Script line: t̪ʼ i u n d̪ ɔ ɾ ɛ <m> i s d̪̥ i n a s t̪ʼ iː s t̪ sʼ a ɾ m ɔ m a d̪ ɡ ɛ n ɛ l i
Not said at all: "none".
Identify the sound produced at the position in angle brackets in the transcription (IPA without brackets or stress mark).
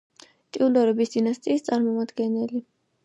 b